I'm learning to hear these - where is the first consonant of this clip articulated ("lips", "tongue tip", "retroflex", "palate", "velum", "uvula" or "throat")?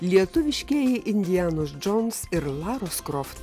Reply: tongue tip